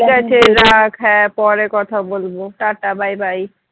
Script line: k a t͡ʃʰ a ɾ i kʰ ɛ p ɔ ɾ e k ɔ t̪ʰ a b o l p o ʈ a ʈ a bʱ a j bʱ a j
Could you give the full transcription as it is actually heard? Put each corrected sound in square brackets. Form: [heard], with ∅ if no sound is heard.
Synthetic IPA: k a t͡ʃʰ [e] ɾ [a] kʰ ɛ p ɔ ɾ e k ɔ t̪ʰ a b o l [b] o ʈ a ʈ a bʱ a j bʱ a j